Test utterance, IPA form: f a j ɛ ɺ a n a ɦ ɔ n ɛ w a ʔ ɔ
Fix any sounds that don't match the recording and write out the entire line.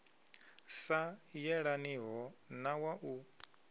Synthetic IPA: s a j ɛ ɺ a n i ɦ ɔ n a w a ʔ u